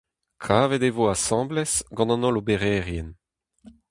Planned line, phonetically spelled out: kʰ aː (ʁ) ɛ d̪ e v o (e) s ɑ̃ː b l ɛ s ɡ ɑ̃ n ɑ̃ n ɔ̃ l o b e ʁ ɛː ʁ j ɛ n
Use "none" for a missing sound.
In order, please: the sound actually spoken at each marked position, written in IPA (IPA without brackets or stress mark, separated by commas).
v, a